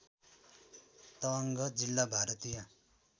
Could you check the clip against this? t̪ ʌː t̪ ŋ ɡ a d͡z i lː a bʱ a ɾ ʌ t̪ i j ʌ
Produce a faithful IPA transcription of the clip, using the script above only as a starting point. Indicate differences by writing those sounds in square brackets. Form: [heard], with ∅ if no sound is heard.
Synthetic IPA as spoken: t̪ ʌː [∅] ŋ ɡ [ʌ] d͡z i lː a bʱ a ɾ ʌ t̪ i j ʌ